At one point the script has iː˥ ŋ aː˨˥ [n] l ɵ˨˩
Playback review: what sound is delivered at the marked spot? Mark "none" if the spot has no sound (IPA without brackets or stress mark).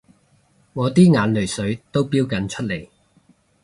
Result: n